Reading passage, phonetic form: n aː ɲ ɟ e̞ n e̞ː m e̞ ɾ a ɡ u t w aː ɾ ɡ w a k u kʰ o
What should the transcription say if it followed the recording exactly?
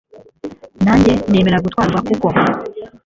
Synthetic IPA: n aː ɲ ɟ e̞ n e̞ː m e̞ ɾ a ɡ u t w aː ɾ ɡ w a k u k o